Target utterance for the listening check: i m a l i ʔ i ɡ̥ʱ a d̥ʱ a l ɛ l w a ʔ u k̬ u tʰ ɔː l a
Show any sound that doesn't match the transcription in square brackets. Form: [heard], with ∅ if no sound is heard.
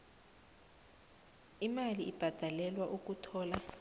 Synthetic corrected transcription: i m a l i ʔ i [b̥ʱ] a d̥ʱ a l ɛ l w a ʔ u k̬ u tʰ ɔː l a